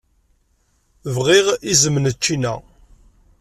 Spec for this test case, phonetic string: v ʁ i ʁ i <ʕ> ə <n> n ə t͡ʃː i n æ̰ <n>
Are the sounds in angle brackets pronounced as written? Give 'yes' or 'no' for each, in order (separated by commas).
no, no, no